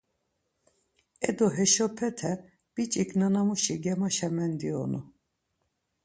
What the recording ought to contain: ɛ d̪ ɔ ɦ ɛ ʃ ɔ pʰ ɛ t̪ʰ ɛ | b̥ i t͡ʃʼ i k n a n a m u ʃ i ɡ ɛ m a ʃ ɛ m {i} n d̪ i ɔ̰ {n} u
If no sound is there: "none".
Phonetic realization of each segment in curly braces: ɛ, n

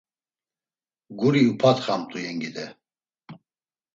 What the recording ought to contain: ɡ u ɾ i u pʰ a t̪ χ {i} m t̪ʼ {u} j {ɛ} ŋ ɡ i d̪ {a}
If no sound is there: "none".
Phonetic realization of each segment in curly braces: a, u, ɛ, ɛ

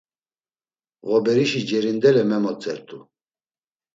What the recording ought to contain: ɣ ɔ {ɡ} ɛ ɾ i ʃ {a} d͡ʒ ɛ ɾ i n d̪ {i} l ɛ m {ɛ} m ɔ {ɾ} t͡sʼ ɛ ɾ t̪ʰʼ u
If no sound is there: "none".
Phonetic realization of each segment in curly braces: b, i, ɛ, ɛ, none

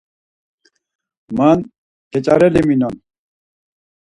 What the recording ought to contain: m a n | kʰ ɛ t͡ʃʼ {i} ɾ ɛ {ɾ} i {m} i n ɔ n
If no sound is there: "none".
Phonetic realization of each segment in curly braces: a, l, m

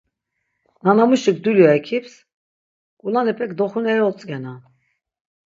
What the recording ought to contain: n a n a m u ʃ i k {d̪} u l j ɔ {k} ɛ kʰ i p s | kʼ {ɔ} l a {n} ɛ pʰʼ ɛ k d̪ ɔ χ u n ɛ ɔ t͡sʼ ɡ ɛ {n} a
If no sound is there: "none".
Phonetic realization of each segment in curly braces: d̪, none, u, n, n

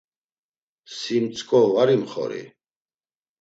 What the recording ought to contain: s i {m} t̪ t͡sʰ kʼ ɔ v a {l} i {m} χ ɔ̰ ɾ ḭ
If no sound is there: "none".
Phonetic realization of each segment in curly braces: m, ɾ, m

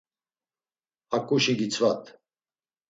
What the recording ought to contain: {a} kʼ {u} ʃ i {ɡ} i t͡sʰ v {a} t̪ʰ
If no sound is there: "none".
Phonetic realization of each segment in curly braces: a, u, ɡ, a

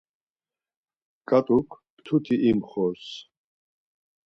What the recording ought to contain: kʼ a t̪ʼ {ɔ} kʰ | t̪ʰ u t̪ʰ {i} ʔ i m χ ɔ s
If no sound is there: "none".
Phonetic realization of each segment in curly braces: u, i

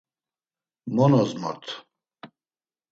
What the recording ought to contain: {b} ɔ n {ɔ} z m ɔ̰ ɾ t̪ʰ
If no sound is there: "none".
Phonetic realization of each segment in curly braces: m, ɔ

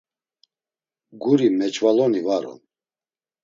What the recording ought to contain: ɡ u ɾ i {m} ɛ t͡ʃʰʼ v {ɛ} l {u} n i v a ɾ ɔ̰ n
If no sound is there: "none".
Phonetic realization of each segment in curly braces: m, a, ɔ

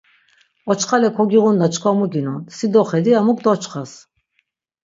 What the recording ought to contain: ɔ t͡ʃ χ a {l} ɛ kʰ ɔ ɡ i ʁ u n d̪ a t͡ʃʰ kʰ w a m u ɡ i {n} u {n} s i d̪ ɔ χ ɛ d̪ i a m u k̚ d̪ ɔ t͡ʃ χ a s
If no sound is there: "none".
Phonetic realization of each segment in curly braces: l, n, n

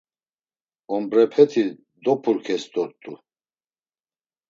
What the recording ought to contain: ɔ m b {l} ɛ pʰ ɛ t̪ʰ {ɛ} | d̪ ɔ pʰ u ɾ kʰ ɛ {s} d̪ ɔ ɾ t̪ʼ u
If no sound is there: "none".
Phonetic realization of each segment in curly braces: ɾ, i, s

